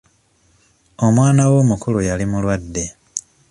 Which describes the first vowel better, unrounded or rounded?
rounded